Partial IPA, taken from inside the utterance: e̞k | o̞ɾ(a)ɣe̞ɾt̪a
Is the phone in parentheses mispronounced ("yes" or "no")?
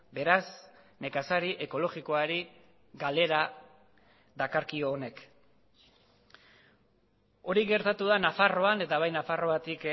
yes